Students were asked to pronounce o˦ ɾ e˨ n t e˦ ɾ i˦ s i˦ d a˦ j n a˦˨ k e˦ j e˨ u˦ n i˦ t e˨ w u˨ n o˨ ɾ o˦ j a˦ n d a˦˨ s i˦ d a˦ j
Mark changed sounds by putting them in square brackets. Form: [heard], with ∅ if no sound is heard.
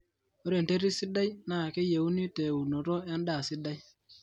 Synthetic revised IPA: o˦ ɾ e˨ n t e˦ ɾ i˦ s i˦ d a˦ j n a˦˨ k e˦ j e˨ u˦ n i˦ t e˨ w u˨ n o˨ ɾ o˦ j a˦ n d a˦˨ s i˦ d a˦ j